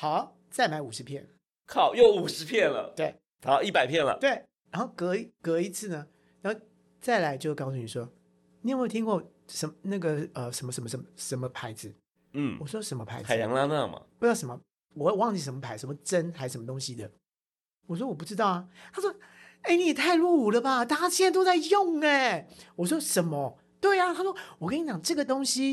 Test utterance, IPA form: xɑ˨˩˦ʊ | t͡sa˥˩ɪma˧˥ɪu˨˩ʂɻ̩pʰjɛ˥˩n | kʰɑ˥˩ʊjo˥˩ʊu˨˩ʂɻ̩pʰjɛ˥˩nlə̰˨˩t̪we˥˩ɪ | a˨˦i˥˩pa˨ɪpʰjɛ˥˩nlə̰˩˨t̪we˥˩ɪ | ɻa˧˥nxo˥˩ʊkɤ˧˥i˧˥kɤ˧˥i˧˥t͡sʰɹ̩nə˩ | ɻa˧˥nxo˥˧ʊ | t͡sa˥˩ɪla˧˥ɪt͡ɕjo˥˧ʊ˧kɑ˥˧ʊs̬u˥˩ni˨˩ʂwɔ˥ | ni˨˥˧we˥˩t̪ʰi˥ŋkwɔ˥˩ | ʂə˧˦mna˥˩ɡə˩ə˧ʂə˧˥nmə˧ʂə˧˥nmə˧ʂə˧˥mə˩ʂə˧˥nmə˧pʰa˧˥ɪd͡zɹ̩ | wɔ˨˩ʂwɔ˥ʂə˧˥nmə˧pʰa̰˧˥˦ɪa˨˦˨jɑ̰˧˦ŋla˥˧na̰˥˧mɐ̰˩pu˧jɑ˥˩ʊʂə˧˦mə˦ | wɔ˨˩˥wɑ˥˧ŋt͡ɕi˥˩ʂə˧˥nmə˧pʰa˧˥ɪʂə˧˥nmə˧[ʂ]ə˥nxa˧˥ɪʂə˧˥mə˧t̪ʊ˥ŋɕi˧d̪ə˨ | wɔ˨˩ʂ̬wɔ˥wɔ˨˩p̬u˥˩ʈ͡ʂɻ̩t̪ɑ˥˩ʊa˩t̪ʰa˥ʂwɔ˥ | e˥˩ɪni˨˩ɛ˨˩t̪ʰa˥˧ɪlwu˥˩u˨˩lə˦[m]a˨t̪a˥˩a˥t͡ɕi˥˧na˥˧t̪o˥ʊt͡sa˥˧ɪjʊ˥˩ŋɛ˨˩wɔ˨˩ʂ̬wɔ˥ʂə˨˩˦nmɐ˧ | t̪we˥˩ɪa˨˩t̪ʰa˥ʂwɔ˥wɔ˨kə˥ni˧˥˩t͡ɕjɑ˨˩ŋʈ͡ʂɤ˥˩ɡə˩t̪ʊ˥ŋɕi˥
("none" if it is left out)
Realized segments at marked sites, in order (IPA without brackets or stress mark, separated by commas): ʈ͡ʂ, b